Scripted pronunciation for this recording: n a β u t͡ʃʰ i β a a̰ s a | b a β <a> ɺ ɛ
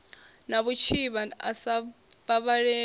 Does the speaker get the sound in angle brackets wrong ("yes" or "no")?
no